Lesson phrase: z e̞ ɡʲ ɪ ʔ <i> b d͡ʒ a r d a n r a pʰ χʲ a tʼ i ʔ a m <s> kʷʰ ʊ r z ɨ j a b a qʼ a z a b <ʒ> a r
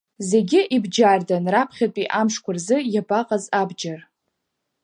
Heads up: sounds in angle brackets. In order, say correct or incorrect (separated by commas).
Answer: correct, incorrect, incorrect